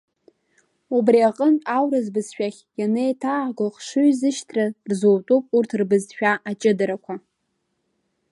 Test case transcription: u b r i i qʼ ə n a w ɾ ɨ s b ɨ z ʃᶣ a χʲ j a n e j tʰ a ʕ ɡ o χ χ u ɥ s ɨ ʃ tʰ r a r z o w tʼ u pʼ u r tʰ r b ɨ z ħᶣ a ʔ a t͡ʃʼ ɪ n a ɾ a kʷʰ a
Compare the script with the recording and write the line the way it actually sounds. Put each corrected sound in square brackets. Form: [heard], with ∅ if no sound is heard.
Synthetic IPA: u b r i [a] qʼ ə n a w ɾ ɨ [z] b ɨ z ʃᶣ a χʲ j a n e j tʰ a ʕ ɡ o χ [ʂ] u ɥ [z] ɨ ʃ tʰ r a r z o w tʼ u pʼ u r tʰ r b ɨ z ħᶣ a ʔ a t͡ʃʼ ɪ [d] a ɾ a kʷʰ a